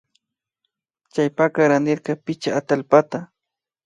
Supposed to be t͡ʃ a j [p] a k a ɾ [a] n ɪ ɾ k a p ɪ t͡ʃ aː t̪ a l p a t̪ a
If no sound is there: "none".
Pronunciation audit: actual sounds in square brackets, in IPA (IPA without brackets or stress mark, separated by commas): p, a